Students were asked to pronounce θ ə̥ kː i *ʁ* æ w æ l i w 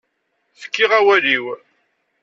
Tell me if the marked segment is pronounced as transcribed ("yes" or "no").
yes